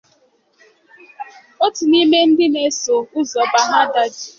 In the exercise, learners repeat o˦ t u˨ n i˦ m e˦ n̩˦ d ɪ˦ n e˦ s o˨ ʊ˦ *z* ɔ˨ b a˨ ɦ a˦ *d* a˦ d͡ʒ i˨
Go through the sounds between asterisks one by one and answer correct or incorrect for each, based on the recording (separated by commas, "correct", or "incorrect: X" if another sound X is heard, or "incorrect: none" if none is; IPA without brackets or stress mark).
correct, correct